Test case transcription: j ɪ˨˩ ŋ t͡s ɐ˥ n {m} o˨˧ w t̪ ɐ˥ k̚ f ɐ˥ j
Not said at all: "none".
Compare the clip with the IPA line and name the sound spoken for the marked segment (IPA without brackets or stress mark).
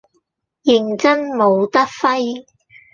m